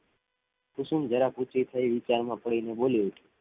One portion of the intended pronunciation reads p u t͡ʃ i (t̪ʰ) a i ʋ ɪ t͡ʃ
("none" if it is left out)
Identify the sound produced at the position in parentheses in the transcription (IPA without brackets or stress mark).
t̪ʰ